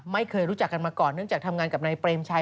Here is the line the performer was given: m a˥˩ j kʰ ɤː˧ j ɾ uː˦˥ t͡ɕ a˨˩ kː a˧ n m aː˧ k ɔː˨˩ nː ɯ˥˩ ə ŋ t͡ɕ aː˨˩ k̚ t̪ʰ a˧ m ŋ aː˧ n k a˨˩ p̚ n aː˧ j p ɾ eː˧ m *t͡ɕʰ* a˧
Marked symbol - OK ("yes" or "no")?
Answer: yes